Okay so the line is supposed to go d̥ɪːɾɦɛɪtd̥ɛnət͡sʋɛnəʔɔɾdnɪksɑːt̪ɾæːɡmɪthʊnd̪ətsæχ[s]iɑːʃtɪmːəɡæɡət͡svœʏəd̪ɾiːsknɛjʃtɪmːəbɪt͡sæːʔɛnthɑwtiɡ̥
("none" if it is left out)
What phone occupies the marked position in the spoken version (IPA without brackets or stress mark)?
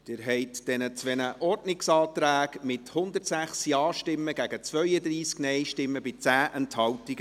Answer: s